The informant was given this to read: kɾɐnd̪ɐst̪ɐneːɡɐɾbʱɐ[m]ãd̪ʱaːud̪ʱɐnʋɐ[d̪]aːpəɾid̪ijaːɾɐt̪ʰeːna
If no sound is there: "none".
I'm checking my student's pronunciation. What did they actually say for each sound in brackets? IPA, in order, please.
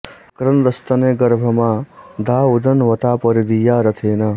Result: m, t̪

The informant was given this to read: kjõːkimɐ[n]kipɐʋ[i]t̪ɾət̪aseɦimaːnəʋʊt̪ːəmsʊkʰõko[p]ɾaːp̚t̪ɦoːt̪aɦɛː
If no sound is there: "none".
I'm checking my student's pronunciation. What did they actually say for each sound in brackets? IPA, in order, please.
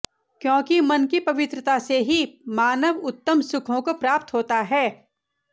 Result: n, ɪ, p

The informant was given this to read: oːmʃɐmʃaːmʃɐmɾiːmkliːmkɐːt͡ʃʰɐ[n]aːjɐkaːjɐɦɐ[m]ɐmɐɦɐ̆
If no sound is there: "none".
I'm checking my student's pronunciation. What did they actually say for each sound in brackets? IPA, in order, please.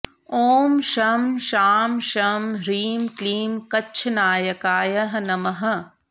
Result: n, n

